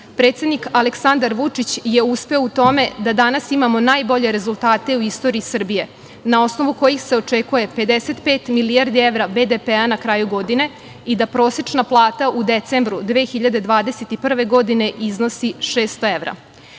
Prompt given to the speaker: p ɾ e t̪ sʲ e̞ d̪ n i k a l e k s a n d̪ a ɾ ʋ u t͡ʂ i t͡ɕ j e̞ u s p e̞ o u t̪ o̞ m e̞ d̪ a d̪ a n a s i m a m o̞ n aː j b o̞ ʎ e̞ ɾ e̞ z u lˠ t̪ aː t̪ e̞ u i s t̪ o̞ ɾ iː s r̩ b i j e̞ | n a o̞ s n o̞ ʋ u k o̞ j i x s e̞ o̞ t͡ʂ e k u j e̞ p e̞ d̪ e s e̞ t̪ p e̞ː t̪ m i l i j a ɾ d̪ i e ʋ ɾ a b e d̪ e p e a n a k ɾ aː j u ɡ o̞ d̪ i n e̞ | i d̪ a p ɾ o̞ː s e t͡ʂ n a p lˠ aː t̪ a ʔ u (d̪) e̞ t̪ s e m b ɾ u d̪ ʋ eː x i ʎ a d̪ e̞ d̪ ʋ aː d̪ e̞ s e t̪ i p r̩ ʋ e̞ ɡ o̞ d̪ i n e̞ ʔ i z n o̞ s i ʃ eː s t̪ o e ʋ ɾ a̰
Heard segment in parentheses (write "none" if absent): d̪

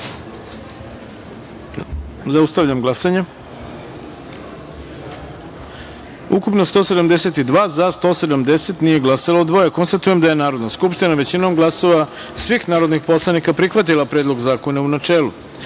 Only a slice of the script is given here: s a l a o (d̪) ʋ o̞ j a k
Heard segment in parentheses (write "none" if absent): d̪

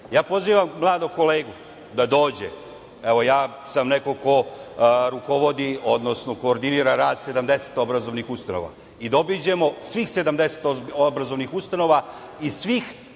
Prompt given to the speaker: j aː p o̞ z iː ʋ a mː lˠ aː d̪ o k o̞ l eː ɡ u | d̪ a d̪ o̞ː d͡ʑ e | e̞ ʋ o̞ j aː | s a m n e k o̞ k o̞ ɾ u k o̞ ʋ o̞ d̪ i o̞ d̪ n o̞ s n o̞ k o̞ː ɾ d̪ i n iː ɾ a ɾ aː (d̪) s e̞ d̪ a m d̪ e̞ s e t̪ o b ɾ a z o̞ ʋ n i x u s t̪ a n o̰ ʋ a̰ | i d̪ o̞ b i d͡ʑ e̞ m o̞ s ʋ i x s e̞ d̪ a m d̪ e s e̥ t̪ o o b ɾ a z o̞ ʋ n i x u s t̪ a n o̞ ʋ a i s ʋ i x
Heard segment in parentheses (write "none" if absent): d̪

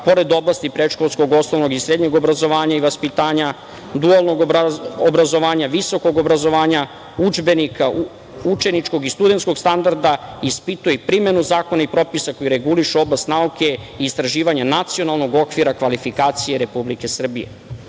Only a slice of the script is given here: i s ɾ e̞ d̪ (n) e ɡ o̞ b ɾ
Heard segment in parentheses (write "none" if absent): ɲ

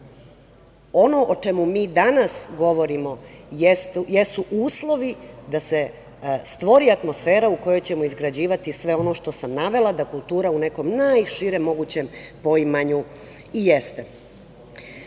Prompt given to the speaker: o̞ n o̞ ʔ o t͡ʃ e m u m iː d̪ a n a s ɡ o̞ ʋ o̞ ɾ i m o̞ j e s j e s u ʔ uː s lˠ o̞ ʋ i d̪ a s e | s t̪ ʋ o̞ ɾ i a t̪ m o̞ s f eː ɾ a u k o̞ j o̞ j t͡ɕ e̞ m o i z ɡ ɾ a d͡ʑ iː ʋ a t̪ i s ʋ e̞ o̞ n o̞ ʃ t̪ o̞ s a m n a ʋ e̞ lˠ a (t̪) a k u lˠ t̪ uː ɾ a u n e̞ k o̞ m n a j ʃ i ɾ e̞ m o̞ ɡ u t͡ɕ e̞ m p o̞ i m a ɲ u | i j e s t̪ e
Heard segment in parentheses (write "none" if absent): d̪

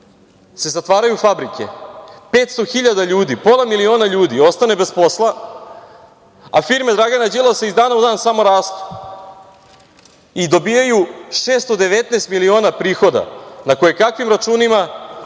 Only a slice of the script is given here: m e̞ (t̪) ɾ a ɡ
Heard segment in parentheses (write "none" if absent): d̪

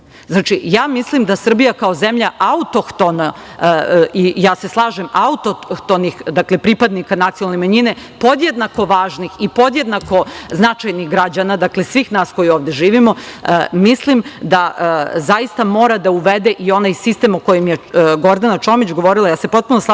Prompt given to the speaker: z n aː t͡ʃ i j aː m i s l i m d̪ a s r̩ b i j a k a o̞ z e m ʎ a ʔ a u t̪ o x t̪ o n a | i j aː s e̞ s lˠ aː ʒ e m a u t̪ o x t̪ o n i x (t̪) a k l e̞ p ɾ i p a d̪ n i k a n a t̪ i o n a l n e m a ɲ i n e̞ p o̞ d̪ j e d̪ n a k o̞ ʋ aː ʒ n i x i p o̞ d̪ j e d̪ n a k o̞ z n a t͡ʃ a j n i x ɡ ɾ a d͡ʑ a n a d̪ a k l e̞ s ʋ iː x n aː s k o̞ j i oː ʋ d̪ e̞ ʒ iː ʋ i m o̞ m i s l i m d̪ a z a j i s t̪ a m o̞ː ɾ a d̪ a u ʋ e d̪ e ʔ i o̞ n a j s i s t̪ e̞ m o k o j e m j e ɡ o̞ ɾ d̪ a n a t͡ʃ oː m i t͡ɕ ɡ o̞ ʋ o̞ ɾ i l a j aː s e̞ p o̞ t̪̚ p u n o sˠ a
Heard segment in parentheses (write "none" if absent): d̪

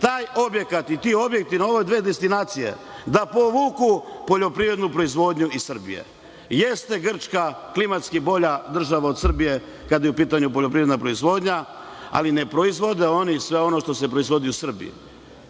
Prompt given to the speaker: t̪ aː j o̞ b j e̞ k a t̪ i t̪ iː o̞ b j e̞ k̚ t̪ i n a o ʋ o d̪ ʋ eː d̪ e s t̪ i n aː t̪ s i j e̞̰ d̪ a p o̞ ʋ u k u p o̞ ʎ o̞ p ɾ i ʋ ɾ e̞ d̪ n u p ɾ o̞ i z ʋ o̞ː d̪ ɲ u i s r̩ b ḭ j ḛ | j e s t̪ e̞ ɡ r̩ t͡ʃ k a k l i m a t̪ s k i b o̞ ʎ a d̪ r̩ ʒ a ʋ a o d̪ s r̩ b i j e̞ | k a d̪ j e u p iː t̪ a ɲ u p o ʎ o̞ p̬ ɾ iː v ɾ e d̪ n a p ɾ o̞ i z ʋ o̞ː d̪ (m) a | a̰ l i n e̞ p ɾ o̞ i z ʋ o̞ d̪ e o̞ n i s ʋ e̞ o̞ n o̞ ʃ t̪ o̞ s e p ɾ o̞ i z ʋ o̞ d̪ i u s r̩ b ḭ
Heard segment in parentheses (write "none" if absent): ɲ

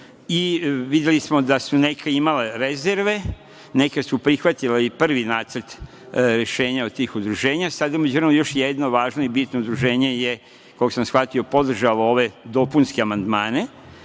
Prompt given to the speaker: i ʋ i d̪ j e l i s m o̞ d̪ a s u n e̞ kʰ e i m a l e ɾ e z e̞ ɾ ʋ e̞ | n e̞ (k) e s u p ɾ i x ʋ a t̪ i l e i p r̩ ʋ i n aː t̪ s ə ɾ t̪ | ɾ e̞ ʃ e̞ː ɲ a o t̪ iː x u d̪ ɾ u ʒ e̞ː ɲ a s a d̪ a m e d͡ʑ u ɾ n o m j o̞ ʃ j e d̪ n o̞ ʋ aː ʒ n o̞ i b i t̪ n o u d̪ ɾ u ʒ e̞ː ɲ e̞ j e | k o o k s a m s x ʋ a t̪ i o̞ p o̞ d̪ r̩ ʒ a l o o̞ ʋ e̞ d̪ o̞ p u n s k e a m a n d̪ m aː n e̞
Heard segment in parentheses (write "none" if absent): k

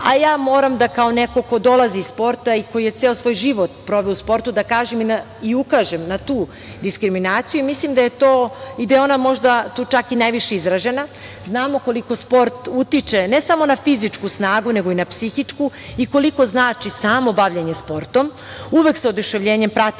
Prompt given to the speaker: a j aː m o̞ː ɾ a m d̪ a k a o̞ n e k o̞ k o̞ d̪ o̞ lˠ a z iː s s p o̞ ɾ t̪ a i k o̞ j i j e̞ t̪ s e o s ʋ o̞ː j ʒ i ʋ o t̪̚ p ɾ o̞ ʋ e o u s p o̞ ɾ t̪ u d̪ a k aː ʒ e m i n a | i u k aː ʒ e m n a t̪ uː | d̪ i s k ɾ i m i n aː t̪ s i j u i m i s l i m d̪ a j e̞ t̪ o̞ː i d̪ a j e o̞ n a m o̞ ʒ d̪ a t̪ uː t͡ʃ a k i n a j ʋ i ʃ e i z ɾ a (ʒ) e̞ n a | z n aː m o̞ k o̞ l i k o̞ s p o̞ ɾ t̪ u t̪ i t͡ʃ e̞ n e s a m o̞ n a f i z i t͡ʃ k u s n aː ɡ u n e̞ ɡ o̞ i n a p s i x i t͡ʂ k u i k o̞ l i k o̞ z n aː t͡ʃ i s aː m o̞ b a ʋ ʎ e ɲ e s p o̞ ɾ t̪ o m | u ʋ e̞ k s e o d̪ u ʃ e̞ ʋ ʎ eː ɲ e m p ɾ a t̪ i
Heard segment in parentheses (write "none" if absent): ʒ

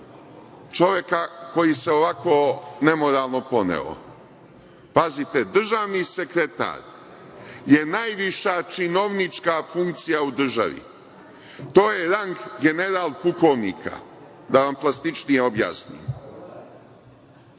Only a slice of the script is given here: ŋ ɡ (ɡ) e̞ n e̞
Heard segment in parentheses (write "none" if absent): ɡ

